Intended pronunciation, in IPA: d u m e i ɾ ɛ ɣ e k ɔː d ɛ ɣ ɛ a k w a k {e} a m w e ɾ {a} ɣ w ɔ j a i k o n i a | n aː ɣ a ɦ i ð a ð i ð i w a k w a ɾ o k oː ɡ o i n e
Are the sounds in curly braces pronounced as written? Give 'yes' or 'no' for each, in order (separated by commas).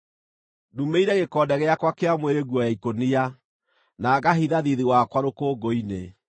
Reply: yes, no